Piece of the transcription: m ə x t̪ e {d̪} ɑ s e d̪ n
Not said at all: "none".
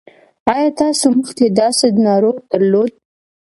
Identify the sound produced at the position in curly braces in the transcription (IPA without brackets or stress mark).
d̪